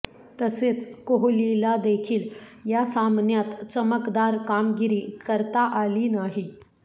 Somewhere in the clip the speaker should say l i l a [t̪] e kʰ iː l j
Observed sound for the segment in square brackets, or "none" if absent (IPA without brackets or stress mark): d̪